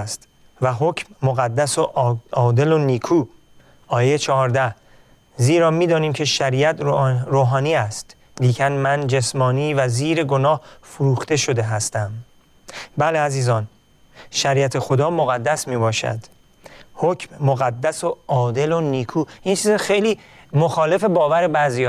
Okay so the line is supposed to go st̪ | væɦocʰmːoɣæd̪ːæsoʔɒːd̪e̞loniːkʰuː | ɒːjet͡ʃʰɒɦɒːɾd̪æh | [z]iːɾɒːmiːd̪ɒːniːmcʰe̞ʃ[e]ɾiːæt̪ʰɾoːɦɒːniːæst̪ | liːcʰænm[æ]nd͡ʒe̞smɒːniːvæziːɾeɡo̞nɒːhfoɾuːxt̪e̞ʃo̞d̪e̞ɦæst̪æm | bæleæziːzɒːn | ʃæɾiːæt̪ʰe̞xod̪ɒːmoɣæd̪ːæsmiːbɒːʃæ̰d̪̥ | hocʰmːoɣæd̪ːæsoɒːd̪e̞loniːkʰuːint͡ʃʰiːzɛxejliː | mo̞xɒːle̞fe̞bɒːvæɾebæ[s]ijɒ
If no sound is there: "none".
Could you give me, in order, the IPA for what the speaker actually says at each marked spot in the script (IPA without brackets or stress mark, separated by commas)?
z, æ, æ, z